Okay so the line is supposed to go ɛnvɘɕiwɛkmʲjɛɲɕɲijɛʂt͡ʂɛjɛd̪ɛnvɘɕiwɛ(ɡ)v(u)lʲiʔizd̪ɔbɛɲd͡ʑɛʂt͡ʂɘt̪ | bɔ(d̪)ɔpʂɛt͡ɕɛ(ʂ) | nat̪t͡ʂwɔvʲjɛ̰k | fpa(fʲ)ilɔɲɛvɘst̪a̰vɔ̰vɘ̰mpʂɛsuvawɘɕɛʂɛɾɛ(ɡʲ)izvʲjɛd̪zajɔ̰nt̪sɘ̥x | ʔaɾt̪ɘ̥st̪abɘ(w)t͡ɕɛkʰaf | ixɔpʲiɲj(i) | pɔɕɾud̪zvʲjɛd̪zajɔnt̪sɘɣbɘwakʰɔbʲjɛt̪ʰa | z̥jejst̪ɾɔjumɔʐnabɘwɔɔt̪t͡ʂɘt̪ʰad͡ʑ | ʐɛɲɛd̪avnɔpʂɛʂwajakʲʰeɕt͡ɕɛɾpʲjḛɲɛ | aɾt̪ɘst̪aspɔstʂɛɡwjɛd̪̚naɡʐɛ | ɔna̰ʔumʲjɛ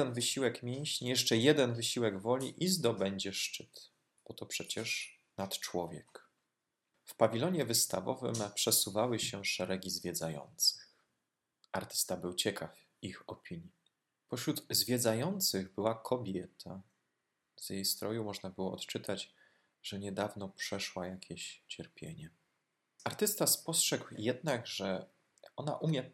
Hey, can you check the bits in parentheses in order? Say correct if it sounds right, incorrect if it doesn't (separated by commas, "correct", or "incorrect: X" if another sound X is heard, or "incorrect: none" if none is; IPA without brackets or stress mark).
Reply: correct, incorrect: ɔ, incorrect: t̪, correct, incorrect: vʲ, correct, correct, correct